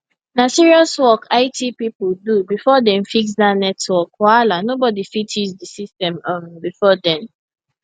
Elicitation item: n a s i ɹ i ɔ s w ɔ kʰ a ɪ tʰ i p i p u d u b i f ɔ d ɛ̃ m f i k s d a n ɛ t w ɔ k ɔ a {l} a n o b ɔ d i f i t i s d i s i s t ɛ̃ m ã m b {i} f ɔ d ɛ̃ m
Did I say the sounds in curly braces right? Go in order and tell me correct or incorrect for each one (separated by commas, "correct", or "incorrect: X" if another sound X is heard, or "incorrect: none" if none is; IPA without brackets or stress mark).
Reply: correct, correct